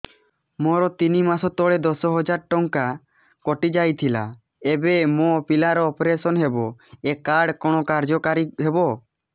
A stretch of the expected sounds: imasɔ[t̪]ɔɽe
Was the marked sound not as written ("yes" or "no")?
no